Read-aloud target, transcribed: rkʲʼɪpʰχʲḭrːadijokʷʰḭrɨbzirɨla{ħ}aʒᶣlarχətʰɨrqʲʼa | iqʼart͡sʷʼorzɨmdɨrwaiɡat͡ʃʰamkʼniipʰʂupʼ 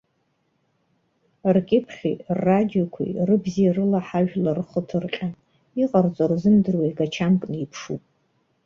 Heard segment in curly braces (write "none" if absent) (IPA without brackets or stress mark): ħ